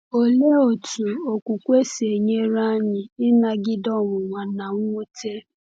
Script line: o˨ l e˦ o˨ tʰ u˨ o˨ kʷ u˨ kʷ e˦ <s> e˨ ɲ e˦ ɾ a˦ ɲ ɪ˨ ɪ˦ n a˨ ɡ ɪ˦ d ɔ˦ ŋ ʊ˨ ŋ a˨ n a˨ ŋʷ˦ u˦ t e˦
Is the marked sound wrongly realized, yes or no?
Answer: no